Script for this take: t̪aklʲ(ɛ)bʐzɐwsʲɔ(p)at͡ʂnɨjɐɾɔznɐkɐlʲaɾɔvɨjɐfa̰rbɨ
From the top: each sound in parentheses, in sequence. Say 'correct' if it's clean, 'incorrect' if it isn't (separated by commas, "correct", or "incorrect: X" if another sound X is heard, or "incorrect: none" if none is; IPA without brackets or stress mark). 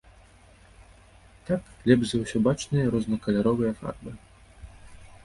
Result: correct, incorrect: b